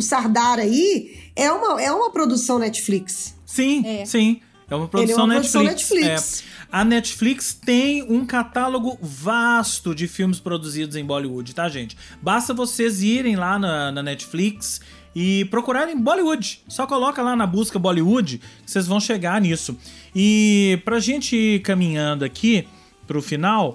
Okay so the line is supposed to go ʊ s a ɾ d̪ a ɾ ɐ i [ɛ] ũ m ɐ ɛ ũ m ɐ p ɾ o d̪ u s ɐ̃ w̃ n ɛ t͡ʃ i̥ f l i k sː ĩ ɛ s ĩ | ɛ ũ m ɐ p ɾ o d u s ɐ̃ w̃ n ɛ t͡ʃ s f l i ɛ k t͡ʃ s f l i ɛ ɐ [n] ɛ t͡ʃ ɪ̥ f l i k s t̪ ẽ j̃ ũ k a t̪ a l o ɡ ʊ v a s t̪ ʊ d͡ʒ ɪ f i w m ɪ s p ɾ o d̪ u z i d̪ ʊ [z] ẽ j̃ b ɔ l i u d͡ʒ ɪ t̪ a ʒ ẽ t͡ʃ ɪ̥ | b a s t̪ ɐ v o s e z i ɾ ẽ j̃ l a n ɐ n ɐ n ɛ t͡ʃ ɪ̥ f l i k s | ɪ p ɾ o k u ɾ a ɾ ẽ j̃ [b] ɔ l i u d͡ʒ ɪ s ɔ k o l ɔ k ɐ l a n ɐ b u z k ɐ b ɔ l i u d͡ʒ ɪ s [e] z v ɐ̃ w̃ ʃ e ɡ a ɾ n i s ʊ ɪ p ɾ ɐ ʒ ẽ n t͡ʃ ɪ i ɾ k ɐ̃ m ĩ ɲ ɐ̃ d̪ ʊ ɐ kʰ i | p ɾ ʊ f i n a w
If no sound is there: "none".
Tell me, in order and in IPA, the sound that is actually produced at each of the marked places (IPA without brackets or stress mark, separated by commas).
ɛ, n, z, b, e